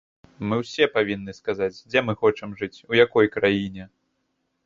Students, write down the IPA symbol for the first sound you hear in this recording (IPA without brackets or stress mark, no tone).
m